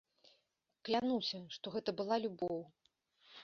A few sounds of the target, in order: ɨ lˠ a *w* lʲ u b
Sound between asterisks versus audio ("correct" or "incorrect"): incorrect